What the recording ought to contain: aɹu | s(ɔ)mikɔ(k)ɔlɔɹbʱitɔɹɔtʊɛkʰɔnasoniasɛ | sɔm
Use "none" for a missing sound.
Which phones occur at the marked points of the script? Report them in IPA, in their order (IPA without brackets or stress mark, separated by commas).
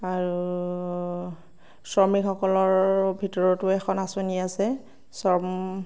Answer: ɔ, k